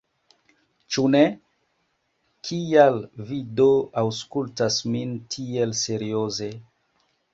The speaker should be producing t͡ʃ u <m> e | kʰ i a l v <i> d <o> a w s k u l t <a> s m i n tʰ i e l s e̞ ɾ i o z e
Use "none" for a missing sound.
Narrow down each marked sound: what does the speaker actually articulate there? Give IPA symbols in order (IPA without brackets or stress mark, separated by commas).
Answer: n, i, o, a